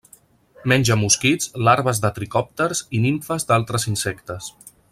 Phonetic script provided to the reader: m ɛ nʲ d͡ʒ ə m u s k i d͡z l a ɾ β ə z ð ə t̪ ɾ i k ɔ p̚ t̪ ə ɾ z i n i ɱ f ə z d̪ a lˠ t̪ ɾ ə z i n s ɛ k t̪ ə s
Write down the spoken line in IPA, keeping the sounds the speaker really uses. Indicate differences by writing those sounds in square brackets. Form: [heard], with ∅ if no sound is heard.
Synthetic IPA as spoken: m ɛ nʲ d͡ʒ ə m u s k i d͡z l a ɾ β ə z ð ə t̪ ɾ i k ɔ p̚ t̪ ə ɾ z i n i ɱ f ə z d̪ a lˠ t̪ ɾ ə z i n s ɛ k t̪ ə s